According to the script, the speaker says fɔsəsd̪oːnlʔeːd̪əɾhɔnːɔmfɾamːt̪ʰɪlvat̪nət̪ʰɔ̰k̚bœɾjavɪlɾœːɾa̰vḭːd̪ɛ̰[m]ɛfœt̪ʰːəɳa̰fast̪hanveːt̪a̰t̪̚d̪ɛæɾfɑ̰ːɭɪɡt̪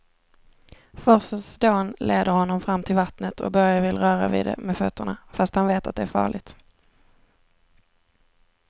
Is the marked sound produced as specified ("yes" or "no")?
yes